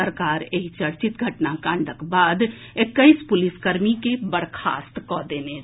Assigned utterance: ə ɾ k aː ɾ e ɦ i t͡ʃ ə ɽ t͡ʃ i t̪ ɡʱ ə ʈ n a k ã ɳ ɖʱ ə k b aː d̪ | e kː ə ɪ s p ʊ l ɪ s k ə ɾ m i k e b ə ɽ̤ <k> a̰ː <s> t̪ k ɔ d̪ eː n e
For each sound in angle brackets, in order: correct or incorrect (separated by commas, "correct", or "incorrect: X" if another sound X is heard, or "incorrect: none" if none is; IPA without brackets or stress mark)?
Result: incorrect: kʰ, correct